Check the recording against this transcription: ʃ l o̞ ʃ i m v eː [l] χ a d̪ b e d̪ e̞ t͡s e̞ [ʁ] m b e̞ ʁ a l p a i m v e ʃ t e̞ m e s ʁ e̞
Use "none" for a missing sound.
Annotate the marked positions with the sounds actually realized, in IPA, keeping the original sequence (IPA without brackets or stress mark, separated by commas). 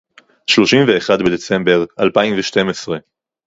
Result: none, none